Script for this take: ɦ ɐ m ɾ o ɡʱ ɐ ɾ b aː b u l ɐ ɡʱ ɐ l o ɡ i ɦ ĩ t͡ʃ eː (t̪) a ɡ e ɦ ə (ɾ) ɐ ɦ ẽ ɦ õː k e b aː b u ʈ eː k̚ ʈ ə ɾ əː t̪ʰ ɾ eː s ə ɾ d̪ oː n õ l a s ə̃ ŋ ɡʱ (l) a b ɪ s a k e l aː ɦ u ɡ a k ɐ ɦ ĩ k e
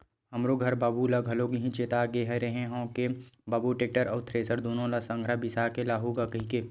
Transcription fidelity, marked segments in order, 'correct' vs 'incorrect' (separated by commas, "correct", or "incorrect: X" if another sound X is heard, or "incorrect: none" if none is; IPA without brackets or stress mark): correct, correct, incorrect: ɾ